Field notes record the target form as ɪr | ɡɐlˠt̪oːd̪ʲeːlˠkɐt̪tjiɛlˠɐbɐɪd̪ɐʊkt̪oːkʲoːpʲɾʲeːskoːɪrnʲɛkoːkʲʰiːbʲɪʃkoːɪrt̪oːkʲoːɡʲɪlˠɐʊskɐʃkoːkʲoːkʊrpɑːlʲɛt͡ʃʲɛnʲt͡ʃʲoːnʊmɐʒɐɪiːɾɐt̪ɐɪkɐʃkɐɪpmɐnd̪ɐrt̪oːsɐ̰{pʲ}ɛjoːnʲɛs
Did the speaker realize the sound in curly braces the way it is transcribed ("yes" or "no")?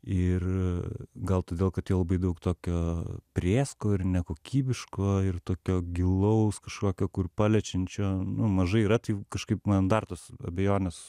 no